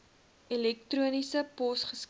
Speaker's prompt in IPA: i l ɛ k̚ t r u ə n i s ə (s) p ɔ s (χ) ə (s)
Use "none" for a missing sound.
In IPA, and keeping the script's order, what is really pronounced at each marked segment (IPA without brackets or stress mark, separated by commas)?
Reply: none, χ, s